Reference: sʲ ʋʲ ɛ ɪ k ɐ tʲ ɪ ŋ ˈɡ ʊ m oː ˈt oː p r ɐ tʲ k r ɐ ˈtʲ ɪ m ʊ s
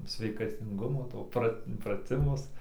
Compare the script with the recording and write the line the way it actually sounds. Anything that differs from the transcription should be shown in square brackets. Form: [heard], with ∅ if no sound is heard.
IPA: sʲ ʋʲ ɛ ɪ k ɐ tʲ ɪ ŋ ˈɡ ʊ m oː ˈt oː p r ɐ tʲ [p] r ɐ ˈtʲ ɪ m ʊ s